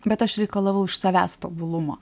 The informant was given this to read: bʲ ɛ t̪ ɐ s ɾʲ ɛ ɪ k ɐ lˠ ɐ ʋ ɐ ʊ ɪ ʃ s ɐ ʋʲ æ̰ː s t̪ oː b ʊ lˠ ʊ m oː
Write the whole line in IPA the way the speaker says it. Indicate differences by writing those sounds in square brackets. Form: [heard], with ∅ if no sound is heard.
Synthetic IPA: bʲ ɛ t̪ ɐ [ʃ] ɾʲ ɛ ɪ k ɐ lˠ ɐ ʋ ɐ ʊ ɪ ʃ s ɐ ʋʲ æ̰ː s t̪ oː b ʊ lˠ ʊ m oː